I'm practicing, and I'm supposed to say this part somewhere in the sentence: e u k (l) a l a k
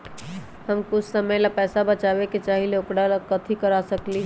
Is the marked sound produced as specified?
no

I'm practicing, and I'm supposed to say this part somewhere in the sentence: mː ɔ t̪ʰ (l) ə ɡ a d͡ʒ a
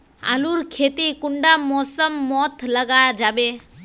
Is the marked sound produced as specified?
yes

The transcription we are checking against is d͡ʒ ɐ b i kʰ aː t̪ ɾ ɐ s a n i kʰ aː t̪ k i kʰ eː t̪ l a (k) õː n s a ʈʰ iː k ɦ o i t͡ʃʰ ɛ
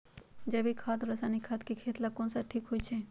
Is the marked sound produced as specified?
yes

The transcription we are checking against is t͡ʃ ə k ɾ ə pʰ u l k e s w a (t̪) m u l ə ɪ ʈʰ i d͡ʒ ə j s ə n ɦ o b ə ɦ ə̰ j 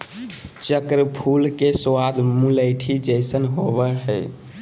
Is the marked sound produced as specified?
no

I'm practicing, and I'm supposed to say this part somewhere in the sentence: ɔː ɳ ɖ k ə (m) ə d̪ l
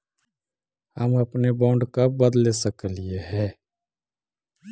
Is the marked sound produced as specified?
no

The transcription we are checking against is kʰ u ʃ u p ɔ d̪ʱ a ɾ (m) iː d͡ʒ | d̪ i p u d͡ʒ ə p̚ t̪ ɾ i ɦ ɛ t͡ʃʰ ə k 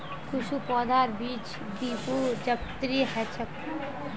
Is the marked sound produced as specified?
no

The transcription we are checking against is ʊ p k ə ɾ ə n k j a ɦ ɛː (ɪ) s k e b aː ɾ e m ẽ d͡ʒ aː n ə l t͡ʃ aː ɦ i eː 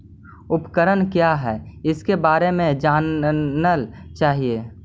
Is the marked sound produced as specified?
yes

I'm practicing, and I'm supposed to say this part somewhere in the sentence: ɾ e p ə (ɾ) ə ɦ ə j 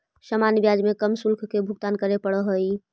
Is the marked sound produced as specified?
no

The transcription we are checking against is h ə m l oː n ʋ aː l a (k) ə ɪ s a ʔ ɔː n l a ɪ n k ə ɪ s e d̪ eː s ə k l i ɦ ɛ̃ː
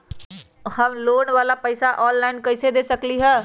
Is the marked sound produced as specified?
no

